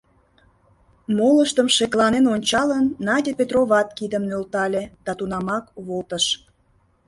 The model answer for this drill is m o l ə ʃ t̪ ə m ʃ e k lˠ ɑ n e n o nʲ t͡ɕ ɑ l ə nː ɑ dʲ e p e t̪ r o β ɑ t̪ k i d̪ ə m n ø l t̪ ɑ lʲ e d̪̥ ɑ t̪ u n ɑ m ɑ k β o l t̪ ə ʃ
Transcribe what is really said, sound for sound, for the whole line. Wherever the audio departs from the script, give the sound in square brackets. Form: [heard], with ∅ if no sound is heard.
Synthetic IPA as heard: m o l ə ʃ t̪ ə m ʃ e k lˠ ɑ n e n o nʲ t͡ɕ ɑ l ə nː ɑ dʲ e p e t̪ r o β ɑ t̪ k i d̪ ə m n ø l t̪ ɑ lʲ e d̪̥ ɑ t̪ u n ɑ m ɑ k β o l t̪ ə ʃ